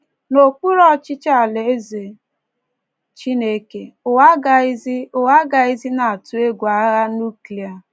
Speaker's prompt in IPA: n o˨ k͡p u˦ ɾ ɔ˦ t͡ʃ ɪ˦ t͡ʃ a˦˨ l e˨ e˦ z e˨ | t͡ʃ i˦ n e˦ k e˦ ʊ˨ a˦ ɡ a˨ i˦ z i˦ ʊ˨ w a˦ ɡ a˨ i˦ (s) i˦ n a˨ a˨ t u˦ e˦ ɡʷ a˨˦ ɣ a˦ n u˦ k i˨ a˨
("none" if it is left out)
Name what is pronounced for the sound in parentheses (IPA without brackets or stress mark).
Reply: z